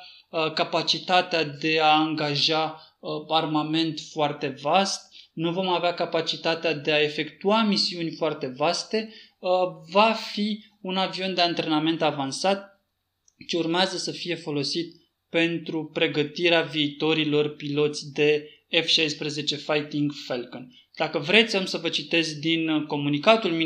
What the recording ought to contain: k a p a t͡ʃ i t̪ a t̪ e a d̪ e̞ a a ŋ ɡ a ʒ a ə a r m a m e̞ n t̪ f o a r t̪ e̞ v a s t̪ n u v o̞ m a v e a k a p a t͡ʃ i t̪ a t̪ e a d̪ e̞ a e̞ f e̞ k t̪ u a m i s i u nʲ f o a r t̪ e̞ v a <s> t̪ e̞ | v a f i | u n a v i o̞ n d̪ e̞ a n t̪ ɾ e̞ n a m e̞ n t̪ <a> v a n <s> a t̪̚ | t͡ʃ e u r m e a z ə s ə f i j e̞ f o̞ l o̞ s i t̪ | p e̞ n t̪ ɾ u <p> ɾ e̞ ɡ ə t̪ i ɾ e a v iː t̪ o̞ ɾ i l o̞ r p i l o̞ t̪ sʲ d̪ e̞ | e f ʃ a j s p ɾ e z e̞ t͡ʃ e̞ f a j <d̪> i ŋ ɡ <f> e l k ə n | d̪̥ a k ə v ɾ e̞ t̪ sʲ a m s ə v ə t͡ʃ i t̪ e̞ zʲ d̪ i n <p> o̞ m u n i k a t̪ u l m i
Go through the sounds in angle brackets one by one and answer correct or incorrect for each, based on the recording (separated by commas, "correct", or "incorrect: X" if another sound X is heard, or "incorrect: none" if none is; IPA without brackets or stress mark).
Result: correct, correct, correct, correct, incorrect: t̪, correct, incorrect: k